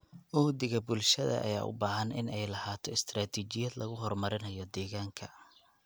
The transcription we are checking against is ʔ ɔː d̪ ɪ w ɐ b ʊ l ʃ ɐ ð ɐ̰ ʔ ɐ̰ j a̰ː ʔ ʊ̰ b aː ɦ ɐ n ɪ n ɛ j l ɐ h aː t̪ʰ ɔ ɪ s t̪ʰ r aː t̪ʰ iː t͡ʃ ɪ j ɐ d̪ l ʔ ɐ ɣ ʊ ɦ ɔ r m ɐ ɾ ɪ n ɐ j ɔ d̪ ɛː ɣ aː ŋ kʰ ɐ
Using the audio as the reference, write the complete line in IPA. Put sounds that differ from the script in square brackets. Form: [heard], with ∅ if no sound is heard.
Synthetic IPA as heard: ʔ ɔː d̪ ɪ [ɣ] ɐ b ʊ l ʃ ɐ ð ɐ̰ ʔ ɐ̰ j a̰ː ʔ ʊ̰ b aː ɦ ɐ n ɪ n ɛ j l ɐ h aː t̪ʰ ɔ ɪ s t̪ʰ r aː t̪ʰ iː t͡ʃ ɪ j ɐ d̪ l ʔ ɐ ɣ ʊ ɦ ɔ r m ɐ ɾ ɪ n ɐ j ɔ d̪ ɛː ɣ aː ŋ kʰ ɐ